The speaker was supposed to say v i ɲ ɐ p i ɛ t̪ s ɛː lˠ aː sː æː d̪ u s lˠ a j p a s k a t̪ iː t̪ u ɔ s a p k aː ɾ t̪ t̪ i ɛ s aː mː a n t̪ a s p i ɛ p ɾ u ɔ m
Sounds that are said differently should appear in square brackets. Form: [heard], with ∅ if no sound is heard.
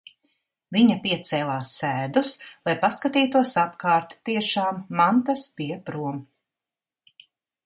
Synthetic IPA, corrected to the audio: v i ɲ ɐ p i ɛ t̪ s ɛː lˠ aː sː æː d̪ u s lˠ a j p a s k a t̪ iː t̪ u ɔ s a p k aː ɾ t̪ t̪ i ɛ [ʃ] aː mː a n t̪ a s p i ɛ p ɾ u ɔ m